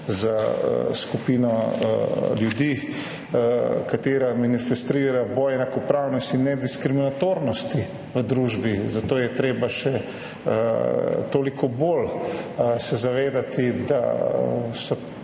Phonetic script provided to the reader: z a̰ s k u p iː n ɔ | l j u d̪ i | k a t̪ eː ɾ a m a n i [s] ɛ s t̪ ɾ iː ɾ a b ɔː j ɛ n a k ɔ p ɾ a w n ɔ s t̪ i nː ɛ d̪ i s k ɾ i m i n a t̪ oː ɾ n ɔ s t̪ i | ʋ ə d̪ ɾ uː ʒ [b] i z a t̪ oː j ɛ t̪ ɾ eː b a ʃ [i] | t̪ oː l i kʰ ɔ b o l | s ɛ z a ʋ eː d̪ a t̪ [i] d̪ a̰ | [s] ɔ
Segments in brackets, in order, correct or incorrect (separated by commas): incorrect, correct, incorrect, correct, correct